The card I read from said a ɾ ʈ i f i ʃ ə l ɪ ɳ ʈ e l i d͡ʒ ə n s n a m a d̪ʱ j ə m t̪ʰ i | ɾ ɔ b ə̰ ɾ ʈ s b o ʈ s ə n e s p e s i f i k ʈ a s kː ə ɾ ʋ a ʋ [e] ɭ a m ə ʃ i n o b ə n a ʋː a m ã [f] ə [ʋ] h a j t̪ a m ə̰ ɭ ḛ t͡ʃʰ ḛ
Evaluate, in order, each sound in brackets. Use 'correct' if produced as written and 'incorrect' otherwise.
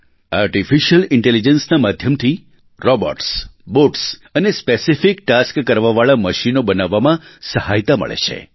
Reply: incorrect: a, incorrect: s, incorrect: none

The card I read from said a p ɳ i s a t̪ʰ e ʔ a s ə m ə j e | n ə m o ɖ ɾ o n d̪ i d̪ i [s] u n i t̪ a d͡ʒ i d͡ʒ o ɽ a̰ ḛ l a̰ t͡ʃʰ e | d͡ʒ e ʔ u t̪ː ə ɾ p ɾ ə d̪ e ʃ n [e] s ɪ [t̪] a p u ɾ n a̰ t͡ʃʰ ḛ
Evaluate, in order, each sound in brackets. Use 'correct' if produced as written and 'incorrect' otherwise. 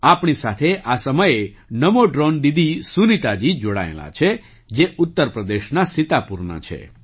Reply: correct, incorrect: a, correct

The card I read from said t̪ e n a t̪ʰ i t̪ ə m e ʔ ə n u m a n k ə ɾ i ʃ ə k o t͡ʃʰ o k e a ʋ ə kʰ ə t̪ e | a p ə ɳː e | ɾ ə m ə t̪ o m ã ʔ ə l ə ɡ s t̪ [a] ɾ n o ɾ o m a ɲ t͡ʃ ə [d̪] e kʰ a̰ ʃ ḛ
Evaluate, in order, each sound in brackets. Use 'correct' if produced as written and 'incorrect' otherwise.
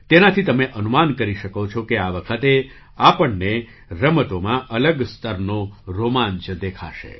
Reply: incorrect: ə, correct

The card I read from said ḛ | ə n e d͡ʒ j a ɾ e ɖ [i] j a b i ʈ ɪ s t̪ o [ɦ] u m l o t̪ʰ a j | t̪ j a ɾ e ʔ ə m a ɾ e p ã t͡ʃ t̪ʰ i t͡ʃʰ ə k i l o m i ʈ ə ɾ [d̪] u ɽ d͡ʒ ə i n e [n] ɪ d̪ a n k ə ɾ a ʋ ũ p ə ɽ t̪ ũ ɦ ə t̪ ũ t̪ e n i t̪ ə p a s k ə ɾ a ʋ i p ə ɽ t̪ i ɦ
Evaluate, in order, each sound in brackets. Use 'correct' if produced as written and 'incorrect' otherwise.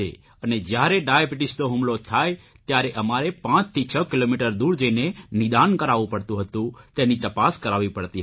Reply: incorrect: a, correct, correct, correct

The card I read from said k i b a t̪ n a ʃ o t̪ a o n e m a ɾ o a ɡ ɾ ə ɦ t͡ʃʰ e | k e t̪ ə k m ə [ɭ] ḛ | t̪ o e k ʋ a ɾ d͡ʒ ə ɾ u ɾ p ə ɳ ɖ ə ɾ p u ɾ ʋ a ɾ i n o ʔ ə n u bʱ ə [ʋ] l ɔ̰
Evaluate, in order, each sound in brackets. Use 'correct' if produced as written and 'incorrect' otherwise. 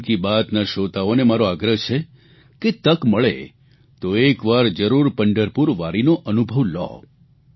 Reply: correct, correct

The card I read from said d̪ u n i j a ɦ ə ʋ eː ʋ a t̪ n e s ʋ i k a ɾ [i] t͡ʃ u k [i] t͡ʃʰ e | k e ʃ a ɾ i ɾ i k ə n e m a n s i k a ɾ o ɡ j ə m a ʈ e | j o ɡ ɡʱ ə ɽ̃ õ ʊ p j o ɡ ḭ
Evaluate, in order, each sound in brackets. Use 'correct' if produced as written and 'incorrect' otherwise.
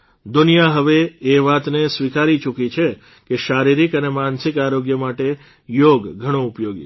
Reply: correct, correct

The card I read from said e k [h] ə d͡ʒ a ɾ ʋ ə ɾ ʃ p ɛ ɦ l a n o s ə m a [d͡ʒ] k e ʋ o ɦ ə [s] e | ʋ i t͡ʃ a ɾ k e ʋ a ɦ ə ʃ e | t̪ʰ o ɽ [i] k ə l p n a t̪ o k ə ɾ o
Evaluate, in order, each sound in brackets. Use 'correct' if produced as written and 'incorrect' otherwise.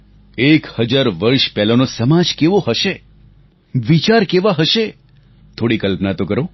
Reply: correct, correct, incorrect: ʃ, correct

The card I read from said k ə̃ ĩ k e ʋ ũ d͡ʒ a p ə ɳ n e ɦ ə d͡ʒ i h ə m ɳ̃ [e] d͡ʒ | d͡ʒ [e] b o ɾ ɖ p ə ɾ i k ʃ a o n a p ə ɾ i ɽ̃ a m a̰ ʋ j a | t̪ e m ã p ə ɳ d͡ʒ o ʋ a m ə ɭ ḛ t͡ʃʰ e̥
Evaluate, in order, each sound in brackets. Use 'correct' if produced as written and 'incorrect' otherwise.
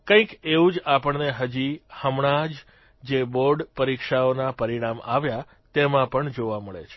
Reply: incorrect: a, correct

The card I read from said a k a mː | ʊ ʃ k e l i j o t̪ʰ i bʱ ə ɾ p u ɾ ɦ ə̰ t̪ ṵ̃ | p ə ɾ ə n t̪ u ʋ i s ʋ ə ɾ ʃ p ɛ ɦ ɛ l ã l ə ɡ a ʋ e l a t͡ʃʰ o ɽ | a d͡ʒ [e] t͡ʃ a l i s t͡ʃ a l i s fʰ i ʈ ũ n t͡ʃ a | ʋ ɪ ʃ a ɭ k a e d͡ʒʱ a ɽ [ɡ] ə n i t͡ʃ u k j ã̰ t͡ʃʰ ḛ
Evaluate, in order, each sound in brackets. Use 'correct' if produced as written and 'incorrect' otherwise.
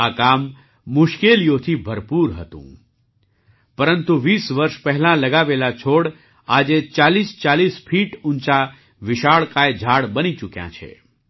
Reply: correct, incorrect: b

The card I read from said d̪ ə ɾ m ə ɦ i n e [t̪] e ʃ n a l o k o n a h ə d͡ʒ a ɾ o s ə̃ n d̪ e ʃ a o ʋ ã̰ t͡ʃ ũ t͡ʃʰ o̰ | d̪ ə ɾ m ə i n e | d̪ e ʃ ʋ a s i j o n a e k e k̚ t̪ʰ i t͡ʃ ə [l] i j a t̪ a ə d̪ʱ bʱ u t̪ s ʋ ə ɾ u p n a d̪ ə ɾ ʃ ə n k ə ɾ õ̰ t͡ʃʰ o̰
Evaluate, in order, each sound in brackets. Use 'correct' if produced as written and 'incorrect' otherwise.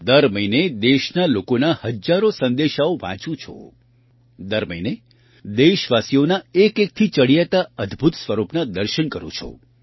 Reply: incorrect: d̪, incorrect: ɽ

